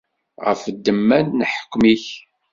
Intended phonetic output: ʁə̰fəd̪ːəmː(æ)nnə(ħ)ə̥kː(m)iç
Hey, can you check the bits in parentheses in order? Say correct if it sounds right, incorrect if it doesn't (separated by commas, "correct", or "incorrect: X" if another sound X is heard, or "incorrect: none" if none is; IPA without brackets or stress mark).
correct, correct, correct